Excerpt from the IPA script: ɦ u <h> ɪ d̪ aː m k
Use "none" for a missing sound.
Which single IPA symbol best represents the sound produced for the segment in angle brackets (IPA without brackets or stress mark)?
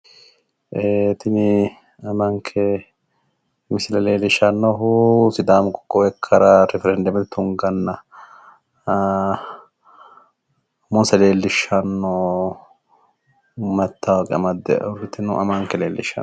s